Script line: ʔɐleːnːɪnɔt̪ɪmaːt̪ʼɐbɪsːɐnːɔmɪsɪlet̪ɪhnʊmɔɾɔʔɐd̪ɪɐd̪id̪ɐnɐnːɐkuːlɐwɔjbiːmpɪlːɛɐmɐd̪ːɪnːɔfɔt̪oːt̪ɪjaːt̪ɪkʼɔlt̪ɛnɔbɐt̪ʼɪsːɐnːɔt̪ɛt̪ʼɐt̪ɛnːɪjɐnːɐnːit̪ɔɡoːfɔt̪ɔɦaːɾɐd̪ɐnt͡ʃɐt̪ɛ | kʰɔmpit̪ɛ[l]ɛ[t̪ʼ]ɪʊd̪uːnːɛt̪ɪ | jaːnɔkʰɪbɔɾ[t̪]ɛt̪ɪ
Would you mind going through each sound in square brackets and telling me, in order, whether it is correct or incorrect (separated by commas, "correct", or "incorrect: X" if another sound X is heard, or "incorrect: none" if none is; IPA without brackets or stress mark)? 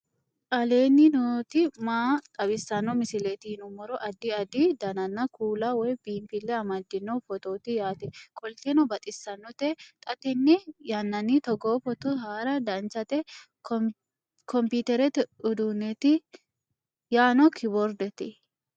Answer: incorrect: ɾ, incorrect: t̪, incorrect: d̪